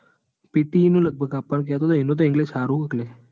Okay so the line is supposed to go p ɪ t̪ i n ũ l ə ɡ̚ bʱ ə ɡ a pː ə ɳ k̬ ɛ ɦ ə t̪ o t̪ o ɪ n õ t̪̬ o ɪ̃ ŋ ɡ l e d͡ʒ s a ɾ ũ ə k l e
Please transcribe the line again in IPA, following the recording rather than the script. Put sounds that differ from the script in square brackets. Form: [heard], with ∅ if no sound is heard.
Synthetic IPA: p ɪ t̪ i n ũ l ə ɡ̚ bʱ ə ɡ a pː ə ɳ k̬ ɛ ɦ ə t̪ o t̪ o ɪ n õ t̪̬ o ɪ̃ ŋ ɡ l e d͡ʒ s a ɾ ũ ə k l e